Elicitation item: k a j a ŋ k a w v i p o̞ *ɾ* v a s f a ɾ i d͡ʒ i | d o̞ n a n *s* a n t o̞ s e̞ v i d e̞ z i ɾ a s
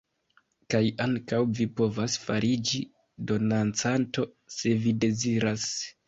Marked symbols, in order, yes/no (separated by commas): no, no